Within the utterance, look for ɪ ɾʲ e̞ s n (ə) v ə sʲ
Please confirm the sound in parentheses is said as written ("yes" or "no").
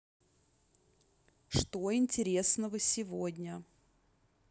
yes